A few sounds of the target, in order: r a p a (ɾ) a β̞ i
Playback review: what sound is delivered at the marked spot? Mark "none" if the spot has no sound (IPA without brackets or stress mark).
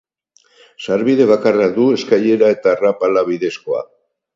l